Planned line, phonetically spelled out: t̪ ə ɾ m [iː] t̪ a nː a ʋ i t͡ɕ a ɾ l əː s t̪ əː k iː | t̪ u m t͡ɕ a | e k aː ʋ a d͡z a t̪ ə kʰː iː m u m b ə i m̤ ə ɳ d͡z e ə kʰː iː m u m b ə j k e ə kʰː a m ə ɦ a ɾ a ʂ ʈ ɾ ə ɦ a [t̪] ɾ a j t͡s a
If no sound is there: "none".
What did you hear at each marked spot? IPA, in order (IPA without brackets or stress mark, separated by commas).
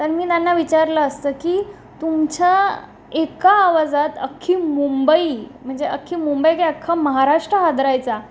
iː, d̪